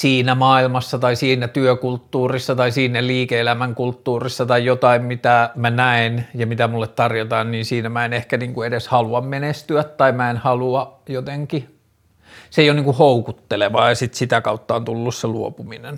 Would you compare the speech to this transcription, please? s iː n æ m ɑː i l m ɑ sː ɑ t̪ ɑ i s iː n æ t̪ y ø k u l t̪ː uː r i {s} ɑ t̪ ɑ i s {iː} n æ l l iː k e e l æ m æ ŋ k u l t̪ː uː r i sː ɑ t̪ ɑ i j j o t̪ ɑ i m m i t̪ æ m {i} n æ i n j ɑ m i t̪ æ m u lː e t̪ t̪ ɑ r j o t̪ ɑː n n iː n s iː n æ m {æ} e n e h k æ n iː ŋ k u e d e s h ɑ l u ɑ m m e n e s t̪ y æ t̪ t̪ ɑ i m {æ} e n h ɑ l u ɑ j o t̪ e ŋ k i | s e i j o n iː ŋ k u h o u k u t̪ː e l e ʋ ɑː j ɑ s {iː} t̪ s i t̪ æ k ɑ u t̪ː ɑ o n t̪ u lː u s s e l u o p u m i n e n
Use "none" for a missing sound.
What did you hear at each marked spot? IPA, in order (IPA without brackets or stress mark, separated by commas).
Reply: sː, iː, æ, æ, æ, i